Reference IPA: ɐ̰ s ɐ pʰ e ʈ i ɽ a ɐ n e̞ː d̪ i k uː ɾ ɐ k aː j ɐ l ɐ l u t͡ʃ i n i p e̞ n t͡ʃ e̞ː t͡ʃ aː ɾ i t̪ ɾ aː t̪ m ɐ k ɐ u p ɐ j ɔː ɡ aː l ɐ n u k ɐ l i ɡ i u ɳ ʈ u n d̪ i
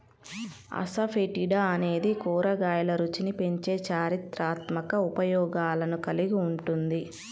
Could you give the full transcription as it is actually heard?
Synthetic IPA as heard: ɐ̰ s ɐ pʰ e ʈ i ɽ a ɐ n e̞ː d̪ i k uː ɾ ɐ ɡ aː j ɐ l ɐ ɾ u t͡ʃ i n i p e̞ ɲ t͡ʃ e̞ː t͡ʃ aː ɾ i t̪ ɾ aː t̪ m ɐ k ɐ u p ɐ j ɔː ɡ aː l ɐ n u k ɐ l i ɡ i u ɳ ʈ u n d̪ i